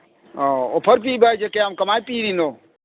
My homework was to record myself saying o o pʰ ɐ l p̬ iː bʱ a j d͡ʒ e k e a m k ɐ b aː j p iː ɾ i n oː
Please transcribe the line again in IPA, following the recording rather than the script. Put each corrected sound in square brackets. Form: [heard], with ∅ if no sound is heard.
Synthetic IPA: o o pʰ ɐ [ɾ] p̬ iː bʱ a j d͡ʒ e k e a m k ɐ [m] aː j p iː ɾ i n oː